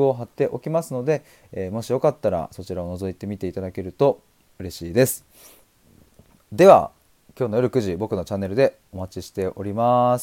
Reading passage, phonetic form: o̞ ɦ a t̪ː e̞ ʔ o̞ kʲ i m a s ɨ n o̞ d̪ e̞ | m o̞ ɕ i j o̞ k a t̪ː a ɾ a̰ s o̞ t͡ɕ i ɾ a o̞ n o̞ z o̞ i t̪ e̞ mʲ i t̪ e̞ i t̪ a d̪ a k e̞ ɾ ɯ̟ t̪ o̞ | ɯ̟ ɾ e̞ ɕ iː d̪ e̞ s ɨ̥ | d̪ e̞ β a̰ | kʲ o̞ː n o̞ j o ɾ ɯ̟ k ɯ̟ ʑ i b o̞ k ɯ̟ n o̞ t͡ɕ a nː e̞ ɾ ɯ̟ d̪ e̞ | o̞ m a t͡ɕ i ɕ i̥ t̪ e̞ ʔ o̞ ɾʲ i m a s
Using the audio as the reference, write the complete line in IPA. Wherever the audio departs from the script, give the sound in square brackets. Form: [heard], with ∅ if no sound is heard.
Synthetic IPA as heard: o̞ ɦ a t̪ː e̞ ʔ o̞ kʲ i m a s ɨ n o̞ d̪ e̞ | m o̞ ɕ i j o̞ k a t̪ː a ɾ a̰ s o̞ t͡ɕ i ɾ a o̞ n o̞ z o̞ i t̪ e̞ mʲ i t̪ e̞ i t̪ a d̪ a k e̞ ɾ ɯ̟ t̪ o̞ | ɯ̟ ɾ e̞ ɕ iː d̪ e̞ s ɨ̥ | d̪ e̞ β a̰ | kʲ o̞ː n o̞ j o ɾ ɯ̟ k ɯ̟ ʑ i b o̞ k ɯ̟ n o̞ t͡ɕ a nː e̞ ɾ ɯ̟ d̪ e̞ | o̞ m a t͡ɕ i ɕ i̥ t̪ e̞ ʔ o̞ ɾʲ i m a s